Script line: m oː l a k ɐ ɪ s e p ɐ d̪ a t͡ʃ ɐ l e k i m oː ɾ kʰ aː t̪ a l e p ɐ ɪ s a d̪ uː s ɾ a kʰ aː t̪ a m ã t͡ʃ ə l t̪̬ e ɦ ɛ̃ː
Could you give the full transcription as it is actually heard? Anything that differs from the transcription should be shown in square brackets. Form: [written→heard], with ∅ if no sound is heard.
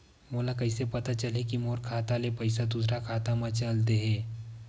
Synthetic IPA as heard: m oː l a k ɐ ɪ s e p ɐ [d̪→t̪] a t͡ʃ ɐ l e k i m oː ɾ kʰ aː t̪ a l e p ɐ ɪ s a d̪ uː s ɾ a kʰ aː t̪ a m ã t͡ʃ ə l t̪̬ e ɦ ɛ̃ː